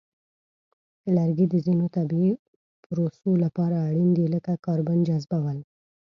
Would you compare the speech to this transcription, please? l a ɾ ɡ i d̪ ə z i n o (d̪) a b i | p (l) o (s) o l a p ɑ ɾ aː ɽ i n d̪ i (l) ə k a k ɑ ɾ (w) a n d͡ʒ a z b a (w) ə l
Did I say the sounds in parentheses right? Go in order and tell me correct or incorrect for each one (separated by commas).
incorrect, incorrect, correct, correct, incorrect, correct